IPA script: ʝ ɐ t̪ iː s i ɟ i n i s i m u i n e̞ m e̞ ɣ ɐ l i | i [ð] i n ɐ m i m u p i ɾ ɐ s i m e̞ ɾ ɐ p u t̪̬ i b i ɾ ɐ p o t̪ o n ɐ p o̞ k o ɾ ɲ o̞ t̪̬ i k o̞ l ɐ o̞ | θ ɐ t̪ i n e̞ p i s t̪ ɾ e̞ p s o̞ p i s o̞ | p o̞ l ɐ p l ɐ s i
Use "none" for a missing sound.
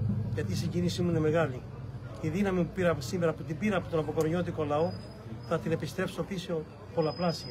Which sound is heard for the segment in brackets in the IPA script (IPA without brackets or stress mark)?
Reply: ð